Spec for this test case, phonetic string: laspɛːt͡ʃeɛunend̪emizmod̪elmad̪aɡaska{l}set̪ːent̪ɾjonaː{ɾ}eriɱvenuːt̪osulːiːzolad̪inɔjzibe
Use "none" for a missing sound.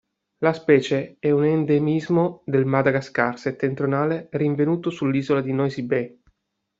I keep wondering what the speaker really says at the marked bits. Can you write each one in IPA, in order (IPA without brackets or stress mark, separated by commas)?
r, l